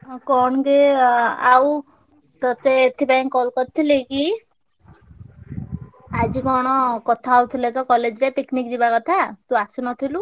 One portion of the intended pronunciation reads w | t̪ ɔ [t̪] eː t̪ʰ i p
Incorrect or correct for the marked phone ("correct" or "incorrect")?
correct